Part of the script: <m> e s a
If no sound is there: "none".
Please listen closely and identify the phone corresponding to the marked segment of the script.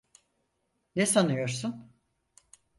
n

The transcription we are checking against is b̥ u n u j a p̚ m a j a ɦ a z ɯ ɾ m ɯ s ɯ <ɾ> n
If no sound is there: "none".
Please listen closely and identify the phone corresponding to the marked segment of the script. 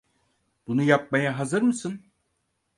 none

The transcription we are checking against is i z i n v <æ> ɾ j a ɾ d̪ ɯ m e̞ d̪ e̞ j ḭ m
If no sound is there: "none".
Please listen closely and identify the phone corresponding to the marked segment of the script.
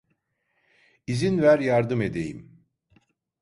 æ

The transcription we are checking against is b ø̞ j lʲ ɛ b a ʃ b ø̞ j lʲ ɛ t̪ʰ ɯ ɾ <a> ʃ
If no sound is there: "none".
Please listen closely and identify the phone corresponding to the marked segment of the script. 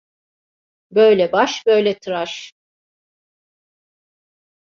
a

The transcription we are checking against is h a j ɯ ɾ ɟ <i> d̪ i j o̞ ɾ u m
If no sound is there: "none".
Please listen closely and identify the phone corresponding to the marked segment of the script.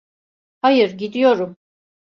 i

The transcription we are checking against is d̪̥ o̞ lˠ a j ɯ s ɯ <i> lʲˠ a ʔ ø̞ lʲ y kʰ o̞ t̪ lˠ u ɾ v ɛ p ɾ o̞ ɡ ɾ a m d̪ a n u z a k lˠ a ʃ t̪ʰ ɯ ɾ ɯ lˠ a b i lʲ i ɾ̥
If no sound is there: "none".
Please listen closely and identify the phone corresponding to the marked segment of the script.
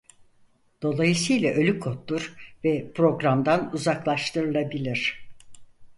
j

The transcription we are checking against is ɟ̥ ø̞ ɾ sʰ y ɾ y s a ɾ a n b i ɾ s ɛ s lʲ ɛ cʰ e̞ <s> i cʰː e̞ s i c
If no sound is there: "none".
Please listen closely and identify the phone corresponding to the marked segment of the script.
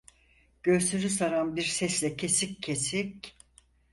s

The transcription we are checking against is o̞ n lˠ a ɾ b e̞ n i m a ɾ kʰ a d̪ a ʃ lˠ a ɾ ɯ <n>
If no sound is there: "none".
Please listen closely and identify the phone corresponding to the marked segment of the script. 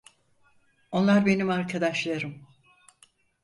m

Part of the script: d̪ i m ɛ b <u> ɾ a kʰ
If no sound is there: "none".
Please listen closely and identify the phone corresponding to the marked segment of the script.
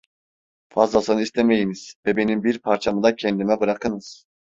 ɯ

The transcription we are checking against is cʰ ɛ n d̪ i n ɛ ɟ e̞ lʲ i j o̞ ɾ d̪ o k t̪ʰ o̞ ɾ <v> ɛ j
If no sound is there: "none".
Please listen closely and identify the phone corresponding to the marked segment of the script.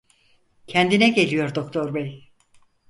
b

